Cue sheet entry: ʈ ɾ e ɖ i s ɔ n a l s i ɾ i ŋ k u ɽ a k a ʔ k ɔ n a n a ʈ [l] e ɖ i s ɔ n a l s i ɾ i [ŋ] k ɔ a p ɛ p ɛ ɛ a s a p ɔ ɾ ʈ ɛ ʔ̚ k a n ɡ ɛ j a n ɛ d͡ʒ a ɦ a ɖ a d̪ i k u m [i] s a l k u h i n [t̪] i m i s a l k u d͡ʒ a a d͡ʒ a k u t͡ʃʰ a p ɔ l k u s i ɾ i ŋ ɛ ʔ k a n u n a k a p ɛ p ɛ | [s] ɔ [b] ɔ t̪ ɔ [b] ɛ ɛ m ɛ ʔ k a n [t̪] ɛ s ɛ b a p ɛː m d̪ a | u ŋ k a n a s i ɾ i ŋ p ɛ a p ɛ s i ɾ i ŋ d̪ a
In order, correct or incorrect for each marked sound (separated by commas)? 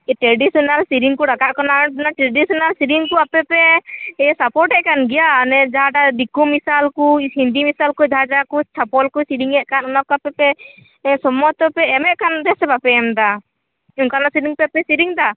incorrect, correct, correct, incorrect, correct, incorrect, incorrect, incorrect